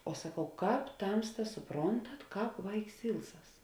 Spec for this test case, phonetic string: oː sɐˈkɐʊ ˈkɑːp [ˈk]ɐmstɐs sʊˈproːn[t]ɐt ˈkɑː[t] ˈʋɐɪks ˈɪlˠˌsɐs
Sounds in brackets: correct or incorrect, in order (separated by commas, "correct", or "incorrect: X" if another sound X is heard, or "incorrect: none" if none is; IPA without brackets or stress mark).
incorrect: t, correct, incorrect: p